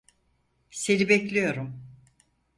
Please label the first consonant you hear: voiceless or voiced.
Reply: voiceless